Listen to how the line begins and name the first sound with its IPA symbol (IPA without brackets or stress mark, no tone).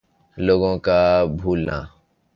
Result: l